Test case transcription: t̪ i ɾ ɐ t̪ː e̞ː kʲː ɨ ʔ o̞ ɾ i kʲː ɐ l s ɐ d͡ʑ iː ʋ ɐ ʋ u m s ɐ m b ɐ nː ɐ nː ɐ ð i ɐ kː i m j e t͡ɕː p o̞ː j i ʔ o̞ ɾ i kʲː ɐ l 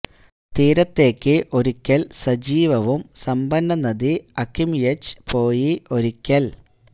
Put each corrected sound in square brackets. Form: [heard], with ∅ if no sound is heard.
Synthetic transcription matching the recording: t̪ [iː] ɾ ɐ t̪ː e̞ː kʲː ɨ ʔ o̞ ɾ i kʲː ɐ l s ɐ d͡ʑ iː ʋ ɐ ʋ u m s ɐ m b ɐ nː ɐ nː ɐ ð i ɐ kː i m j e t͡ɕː p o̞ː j i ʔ o̞ ɾ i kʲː ɐ l